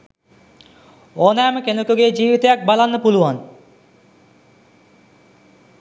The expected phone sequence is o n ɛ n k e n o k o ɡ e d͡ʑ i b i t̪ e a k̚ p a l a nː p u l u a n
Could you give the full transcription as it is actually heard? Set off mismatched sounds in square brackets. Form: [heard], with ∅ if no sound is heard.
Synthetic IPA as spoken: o n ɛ [m] k e n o k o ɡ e d͡ʑ i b i t̪ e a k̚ [b] a l a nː p u l u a n